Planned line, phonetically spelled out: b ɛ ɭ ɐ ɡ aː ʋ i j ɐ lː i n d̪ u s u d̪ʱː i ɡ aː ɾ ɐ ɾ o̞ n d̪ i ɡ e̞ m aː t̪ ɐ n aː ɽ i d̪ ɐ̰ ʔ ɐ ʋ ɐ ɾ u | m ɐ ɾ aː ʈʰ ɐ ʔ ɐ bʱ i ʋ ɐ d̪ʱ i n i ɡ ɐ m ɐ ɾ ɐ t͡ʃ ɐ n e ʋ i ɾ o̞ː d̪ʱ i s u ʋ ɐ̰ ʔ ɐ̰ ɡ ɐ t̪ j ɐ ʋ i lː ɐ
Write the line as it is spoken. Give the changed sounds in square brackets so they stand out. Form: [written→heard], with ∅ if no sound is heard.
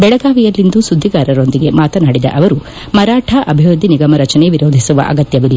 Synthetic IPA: b ɛ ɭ ɐ ɡ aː ʋ i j ɐ lː i n d̪ u s u d̪ʱː i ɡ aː ɾ ɐ ɾ o̞ n d̪ i ɡ e̞ m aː t̪ ɐ n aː ɽ i d̪ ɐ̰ ʔ ɐ ʋ ɐ ɾ u | m ɐ ɾ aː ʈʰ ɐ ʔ ɐ bʱ i ʋ ɐ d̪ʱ i n i ɡ ɐ m ɐ ɾ ɐ t͡ʃ ɐ n e ʋ i ɾ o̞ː d̪ʱ i s u ʋ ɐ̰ ʔ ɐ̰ ɡ ɐ t̪ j ɐ ʋ i lː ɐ